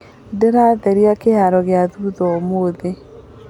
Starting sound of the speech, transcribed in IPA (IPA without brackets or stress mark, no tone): d